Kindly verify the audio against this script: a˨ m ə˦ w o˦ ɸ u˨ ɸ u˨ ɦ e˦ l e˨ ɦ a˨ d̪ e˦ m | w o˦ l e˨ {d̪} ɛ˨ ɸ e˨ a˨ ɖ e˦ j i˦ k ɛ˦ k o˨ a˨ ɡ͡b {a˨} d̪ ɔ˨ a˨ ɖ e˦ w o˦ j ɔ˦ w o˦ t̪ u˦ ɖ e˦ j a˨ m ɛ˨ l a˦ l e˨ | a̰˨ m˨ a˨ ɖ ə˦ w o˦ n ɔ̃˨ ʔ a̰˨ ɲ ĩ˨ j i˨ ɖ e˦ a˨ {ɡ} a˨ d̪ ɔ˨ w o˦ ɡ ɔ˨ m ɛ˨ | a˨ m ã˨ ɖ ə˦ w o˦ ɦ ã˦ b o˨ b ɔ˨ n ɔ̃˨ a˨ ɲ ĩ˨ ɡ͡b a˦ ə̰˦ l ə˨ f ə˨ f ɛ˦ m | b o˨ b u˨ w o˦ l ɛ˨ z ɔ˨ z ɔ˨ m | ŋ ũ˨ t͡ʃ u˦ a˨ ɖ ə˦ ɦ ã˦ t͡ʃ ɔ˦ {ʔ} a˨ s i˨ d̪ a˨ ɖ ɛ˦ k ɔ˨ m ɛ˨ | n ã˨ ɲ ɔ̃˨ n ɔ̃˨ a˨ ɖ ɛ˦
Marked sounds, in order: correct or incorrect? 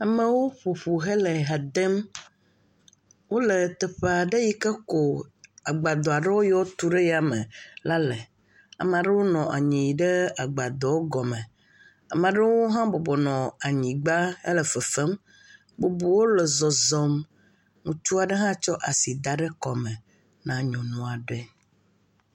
incorrect: t̪, correct, incorrect: ɡ͡b, correct

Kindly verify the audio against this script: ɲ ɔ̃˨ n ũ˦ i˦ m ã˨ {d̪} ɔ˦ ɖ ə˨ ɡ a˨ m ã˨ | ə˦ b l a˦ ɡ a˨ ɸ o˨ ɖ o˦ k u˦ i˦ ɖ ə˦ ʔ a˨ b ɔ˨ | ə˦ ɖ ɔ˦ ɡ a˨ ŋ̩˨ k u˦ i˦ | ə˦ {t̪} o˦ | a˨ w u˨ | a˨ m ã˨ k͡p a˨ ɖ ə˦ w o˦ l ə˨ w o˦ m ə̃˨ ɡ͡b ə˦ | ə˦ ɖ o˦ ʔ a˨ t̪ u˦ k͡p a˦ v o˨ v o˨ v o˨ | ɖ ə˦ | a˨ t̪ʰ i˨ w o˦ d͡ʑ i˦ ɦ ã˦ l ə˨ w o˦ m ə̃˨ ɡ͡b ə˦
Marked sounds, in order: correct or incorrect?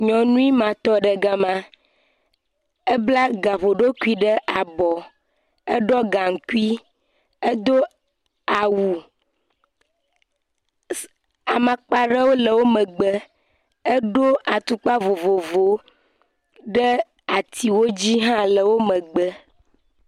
incorrect: t̪, incorrect: d̪

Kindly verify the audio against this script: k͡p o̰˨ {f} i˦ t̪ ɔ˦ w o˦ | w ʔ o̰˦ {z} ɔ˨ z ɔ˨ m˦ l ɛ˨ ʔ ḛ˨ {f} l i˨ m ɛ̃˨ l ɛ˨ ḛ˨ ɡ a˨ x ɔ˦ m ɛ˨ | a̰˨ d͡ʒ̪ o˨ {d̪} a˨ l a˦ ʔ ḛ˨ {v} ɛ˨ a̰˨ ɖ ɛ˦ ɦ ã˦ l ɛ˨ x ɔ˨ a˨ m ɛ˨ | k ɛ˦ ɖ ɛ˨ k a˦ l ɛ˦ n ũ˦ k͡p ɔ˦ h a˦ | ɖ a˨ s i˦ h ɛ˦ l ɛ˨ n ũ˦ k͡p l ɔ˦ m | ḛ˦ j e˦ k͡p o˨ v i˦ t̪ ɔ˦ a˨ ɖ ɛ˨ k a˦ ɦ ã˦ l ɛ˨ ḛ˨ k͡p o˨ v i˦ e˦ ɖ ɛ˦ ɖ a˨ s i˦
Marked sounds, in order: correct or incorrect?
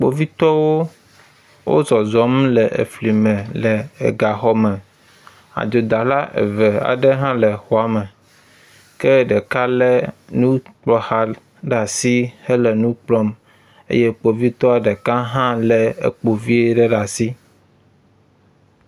incorrect: v, correct, correct, correct, correct

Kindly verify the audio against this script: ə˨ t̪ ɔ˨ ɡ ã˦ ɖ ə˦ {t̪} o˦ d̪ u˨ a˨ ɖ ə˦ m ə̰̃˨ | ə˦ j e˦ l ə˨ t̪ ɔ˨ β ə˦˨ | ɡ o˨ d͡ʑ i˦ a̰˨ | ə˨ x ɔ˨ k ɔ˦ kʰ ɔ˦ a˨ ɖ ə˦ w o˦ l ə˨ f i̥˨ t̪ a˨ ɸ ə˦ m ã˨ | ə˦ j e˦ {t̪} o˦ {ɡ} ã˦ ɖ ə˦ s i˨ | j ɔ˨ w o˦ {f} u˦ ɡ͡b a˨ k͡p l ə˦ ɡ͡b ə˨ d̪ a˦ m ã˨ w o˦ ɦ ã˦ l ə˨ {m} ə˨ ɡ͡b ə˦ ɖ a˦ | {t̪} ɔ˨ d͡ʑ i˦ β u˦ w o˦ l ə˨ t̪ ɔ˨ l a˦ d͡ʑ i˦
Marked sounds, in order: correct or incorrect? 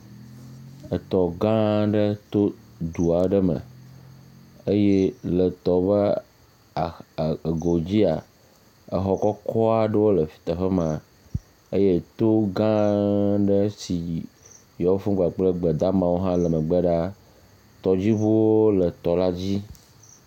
correct, correct, correct, correct, correct, correct

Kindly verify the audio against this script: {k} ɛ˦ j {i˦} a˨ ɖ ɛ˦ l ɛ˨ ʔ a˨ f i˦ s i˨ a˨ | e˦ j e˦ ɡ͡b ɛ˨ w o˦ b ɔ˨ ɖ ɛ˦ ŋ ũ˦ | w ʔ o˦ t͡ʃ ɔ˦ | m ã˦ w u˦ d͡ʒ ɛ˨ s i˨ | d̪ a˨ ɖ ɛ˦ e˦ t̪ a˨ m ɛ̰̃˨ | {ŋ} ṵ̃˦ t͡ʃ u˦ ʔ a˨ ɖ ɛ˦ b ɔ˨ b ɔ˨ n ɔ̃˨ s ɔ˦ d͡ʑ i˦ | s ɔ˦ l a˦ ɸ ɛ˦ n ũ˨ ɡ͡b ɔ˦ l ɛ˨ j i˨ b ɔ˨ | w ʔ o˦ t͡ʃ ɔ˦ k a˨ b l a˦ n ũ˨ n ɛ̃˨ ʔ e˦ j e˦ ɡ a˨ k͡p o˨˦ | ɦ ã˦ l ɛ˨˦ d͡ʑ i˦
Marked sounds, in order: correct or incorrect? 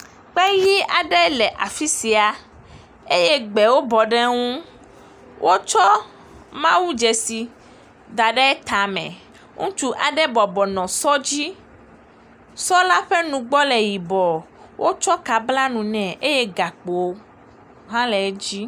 incorrect: k͡p, correct, correct

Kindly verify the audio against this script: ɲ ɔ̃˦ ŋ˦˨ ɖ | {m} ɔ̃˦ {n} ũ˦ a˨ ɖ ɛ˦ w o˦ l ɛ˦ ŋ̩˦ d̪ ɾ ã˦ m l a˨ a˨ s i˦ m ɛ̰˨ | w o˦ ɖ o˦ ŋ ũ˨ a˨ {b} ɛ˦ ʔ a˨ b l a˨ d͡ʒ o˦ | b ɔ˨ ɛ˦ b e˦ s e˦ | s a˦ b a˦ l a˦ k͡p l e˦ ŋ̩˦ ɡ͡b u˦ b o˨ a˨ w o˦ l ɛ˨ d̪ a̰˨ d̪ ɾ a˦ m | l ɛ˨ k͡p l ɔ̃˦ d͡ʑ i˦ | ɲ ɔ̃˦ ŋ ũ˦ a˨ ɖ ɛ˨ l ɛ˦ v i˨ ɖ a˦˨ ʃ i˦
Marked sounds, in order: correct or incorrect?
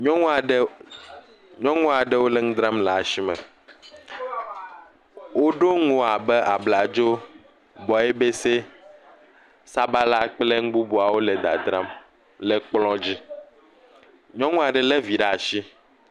incorrect: ɲ, incorrect: ŋ, correct

